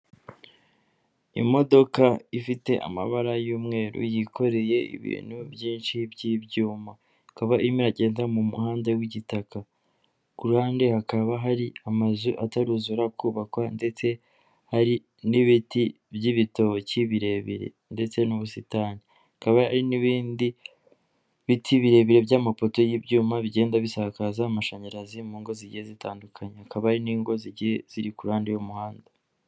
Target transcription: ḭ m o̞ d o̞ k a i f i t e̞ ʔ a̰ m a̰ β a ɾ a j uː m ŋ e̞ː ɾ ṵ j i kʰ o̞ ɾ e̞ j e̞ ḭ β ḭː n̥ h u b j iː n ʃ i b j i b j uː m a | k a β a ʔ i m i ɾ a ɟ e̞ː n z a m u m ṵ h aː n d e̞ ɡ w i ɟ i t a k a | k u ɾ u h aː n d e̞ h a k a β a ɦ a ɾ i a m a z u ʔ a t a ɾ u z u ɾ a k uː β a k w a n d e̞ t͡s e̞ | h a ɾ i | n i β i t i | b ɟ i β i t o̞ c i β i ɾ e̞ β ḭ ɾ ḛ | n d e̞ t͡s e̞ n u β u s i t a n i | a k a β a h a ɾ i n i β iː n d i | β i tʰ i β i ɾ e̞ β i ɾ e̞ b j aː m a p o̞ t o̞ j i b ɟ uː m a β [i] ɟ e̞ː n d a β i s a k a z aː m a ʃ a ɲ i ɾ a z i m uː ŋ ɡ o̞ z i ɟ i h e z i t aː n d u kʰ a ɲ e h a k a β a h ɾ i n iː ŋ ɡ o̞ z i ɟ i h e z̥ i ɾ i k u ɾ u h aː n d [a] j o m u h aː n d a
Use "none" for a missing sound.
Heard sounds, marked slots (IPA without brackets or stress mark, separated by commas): i, e